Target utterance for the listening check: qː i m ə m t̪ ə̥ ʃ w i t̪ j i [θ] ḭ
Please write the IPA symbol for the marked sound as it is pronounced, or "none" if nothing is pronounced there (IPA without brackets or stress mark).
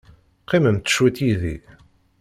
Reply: ð